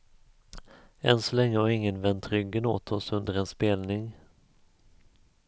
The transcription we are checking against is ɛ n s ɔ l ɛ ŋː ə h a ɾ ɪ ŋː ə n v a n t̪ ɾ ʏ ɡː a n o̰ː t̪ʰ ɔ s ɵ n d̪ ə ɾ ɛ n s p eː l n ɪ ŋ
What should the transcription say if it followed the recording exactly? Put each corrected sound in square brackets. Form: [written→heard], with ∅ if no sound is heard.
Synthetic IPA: ɛ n s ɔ l ɛ ŋː ə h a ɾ ɪ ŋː ə n v [a→ɛ] n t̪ ɾ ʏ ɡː [a→ə] n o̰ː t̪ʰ ɔ s ɵ n d̪ ə ɾ ɛ n s p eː l n ɪ ŋ